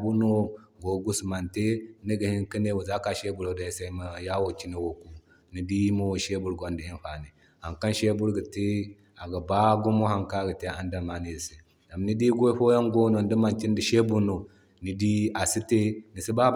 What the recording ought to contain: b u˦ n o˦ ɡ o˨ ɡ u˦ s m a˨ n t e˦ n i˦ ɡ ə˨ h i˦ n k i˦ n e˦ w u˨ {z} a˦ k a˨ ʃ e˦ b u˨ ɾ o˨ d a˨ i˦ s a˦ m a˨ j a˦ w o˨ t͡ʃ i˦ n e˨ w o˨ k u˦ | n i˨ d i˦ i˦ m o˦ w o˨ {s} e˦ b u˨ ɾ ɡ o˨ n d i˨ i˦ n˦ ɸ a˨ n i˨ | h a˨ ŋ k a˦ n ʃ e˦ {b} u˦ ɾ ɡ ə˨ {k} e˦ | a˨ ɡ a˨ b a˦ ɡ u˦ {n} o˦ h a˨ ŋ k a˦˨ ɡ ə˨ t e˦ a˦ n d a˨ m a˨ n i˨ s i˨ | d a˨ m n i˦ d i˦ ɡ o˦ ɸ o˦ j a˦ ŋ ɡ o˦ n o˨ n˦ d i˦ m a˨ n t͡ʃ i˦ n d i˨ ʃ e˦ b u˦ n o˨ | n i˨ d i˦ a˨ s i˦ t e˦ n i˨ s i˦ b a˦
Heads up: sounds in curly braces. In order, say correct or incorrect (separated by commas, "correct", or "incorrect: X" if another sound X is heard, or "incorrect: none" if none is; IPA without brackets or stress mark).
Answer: correct, incorrect: ʃ, correct, incorrect: t, incorrect: m